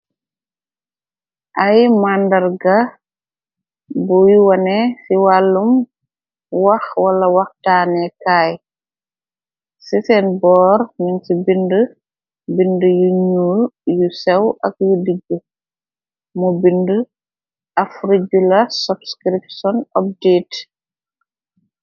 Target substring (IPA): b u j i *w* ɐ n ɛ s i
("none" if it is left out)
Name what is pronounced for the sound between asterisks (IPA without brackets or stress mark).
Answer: w